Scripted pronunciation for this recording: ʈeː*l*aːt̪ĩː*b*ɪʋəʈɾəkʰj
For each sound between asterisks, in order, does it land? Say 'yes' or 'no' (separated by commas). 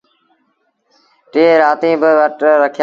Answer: no, yes